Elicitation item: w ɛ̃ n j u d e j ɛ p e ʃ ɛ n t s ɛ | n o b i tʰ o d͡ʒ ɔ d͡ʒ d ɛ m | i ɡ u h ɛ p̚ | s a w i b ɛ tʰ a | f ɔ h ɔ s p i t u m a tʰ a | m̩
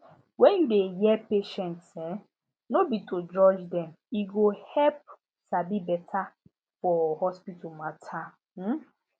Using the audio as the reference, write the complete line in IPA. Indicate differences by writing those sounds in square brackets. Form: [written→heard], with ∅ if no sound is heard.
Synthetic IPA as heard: w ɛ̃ n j u d e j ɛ p e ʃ ɛ n t s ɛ | n o b i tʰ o d͡ʒ ɔ d͡ʒ d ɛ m | i ɡ [u→o] h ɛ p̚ | s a [w→b] i b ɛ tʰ a | f ɔ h ɔ s p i t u m a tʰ a | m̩